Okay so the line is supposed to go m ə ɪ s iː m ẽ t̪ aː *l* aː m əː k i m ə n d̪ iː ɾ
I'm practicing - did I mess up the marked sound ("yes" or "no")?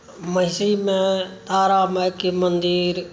yes